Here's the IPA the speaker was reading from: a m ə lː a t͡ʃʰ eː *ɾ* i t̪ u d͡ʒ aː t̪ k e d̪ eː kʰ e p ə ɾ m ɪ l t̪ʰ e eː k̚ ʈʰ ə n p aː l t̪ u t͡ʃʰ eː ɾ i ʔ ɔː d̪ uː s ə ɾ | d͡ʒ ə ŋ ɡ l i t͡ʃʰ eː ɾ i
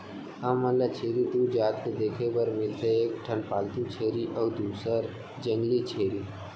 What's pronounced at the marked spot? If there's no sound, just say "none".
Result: ɾ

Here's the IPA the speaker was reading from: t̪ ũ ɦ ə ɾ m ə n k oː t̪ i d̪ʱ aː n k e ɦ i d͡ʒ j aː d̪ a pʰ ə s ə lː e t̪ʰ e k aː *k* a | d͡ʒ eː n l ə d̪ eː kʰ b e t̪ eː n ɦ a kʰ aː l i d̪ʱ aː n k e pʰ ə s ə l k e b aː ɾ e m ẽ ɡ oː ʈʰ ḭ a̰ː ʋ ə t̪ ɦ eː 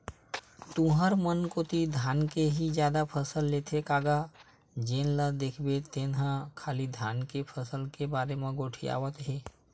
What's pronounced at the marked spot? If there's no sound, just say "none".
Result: ɡ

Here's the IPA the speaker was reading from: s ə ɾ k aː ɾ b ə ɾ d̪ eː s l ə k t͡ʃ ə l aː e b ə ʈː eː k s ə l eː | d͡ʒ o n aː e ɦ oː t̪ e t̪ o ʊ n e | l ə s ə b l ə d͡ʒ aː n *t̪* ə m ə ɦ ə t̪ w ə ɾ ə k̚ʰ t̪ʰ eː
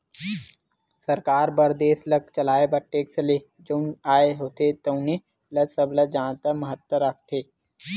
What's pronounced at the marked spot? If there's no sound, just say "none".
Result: t̪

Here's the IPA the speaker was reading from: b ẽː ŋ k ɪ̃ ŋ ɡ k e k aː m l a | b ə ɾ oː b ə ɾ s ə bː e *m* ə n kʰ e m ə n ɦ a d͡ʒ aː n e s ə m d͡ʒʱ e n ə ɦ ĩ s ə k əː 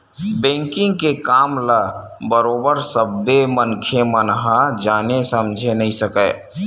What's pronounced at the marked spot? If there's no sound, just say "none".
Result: m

